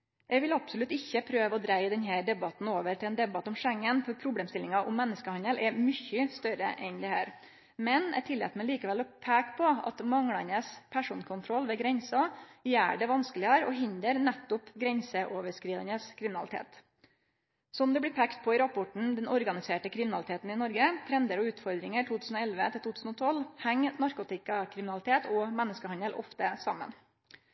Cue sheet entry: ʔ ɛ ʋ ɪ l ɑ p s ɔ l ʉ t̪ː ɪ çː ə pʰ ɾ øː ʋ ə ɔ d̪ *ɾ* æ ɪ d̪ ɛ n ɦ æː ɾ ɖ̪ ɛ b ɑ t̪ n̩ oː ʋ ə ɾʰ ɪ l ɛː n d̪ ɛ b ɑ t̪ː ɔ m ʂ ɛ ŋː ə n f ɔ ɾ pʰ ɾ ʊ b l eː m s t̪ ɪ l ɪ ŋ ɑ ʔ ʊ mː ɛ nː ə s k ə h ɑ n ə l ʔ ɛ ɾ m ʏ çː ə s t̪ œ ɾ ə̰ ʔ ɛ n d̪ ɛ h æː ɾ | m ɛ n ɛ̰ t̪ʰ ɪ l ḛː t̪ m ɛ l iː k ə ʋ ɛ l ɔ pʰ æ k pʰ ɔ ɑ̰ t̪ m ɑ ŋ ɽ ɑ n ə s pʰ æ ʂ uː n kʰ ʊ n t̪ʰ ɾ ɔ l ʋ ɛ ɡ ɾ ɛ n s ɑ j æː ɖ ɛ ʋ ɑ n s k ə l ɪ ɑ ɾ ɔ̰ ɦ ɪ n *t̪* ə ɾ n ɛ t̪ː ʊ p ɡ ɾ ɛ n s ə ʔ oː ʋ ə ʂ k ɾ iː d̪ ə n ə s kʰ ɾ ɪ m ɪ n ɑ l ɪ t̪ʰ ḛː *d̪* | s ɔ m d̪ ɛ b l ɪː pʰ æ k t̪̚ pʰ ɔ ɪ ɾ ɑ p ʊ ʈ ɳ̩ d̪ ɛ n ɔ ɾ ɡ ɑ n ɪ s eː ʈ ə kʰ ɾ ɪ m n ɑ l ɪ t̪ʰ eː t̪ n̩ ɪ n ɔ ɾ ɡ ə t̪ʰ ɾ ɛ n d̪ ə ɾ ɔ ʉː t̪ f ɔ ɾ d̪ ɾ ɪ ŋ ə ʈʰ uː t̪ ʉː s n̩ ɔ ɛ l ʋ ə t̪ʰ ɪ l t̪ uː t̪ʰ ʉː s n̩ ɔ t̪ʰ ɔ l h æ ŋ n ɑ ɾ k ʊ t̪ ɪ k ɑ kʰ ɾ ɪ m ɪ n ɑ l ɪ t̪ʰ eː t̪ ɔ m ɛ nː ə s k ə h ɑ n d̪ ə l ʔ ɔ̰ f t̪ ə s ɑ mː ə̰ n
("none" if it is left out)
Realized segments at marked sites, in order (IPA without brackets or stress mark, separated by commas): ɾ, d̪, t̪